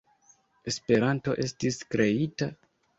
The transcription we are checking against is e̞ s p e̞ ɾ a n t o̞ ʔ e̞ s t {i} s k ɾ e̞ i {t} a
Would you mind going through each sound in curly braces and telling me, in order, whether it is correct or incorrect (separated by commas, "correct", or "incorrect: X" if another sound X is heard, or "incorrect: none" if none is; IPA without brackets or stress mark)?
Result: correct, correct